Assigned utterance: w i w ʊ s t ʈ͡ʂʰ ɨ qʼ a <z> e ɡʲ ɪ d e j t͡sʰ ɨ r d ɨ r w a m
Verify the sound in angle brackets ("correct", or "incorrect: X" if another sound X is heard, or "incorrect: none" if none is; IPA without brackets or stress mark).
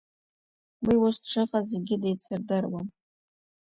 correct